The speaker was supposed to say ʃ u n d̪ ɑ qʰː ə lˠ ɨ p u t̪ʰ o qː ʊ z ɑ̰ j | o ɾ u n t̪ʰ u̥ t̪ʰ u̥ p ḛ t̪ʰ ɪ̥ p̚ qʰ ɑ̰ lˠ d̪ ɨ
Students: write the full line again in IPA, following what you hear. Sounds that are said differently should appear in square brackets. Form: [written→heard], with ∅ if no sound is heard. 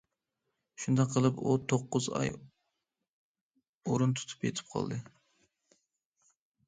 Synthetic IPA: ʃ u n d̪ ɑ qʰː ə lˠ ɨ p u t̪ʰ o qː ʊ z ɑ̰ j | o ɾ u n t̪ʰ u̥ t̪ʰ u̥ p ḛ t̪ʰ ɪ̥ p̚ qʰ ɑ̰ lˠ d̪ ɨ